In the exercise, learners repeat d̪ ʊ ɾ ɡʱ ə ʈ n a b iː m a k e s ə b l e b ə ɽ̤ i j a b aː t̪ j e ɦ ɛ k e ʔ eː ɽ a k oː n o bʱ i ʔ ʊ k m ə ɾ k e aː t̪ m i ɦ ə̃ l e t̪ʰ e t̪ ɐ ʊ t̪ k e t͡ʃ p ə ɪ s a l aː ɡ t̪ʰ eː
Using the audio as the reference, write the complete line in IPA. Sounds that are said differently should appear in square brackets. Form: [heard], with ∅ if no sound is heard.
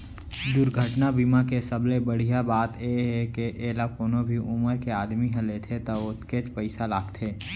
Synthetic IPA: d̪ ʊ ɾ ɡʱ ə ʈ n a b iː m a k e s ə b l e b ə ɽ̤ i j a b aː t̪ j e ɦ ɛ k e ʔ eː [l] a k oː n o bʱ i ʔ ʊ [∅] m ə ɾ k e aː [d̪] m i ɦ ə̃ l e t̪ʰ e t̪ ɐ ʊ t̪ k e t͡ʃ p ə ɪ s a l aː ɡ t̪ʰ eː